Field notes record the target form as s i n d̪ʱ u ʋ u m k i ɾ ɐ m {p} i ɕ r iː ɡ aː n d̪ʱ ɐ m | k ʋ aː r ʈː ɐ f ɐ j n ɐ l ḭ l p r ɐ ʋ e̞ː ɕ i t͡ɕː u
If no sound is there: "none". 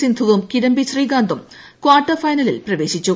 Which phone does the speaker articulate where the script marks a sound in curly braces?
b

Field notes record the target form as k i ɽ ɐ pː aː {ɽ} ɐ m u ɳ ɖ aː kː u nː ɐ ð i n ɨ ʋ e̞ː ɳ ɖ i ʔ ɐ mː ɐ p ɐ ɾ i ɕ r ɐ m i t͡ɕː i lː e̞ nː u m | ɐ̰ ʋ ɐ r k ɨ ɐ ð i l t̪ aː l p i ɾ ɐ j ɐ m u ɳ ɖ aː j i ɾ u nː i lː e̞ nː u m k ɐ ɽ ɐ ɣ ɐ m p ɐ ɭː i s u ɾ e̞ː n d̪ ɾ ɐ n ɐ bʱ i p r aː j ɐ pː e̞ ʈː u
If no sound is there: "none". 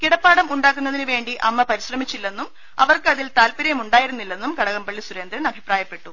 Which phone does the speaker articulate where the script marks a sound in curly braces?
ɽ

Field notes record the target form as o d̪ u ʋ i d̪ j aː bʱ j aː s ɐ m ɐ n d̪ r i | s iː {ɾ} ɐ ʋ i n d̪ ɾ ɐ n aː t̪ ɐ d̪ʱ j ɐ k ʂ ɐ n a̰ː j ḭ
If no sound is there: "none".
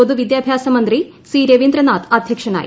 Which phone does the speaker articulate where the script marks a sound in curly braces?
ɾ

